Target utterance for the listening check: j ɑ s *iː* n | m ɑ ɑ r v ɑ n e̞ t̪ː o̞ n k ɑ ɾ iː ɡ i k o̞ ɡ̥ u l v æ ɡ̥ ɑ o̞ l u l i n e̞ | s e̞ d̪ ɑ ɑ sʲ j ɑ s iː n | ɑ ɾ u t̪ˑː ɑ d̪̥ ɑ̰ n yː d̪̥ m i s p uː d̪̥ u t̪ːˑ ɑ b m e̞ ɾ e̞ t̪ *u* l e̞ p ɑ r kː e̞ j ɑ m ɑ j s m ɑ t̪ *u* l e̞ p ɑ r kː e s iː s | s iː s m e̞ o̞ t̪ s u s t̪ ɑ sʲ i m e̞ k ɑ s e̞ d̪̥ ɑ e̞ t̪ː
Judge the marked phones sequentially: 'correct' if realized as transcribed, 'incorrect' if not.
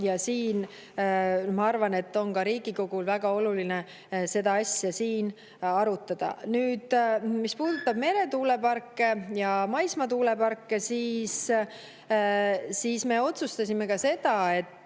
correct, incorrect: uː, incorrect: uː

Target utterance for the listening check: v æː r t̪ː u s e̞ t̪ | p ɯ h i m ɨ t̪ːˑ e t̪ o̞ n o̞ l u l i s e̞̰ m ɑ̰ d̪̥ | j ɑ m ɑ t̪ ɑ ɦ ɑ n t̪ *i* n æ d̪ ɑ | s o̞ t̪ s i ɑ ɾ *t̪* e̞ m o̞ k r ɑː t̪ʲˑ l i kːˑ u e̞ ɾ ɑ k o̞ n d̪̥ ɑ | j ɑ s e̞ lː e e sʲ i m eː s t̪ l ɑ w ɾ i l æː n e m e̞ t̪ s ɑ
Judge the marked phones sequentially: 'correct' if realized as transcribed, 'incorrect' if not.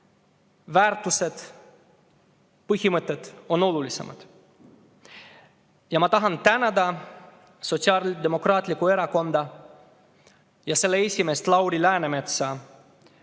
incorrect: æ, incorrect: d̪

